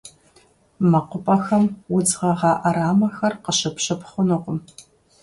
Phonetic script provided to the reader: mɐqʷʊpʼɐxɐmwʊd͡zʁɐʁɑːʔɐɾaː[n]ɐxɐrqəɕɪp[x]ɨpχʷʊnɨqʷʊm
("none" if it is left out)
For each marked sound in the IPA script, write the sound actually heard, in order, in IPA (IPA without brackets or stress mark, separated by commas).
m, ɕ